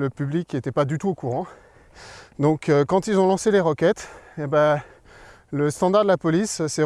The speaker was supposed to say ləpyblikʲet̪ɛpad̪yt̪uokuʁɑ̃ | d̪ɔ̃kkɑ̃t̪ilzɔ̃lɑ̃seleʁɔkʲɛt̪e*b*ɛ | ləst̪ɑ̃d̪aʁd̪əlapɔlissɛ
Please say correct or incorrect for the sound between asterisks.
correct